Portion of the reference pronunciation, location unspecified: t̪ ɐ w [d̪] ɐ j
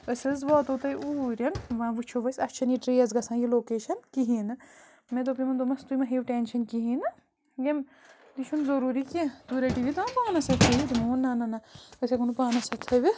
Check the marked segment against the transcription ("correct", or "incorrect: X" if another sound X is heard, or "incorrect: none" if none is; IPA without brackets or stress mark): incorrect: t̪